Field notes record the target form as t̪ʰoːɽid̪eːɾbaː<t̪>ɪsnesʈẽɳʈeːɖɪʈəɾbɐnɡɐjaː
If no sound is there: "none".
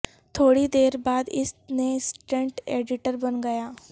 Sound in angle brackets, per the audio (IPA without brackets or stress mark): d̪